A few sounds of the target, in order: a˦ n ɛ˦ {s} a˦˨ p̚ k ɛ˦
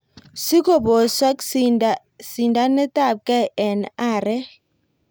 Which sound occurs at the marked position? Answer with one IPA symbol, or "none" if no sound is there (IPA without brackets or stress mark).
t